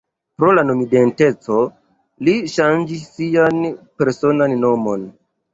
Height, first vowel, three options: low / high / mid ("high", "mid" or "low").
mid